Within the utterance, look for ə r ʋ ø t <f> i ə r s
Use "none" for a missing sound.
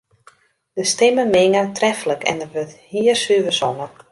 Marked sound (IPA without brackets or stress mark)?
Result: h